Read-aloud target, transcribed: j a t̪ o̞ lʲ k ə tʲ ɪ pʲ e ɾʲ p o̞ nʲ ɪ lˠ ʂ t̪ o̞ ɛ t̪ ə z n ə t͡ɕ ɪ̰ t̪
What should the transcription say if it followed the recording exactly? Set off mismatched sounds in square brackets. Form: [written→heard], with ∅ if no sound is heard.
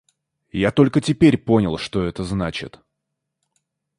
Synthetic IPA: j a t̪ o̞ lʲ k ə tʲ ɪ pʲ e ɾʲ p o̞ nʲ ɪ lˠ ʂ t̪ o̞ ɛ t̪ ə z n [ə→a] t͡ɕ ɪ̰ t̪